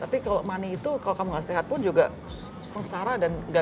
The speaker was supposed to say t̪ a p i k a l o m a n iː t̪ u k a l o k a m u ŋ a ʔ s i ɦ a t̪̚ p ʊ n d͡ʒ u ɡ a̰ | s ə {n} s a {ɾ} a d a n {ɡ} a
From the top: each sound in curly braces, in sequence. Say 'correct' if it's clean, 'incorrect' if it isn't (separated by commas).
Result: incorrect, correct, correct